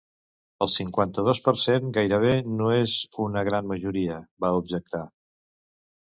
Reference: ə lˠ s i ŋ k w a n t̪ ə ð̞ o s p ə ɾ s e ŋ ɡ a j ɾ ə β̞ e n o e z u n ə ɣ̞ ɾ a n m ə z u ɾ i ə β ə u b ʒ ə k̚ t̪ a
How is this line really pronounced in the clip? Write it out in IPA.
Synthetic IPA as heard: ə lˠ s i ŋ k w a n t̪ ə ð̞ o s p ə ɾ s e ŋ ɡ a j ɾ ə β̞ e n o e z u n ə ɣ̞ ɾ a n m ə ʒ u ɾ i ə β a u b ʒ ə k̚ t̪ a